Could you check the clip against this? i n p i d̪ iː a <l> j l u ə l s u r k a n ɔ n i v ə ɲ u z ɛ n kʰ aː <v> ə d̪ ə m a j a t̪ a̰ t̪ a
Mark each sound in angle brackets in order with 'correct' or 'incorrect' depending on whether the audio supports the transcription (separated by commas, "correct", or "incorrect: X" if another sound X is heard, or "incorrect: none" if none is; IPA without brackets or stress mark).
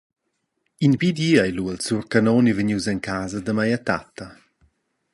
incorrect: none, incorrect: z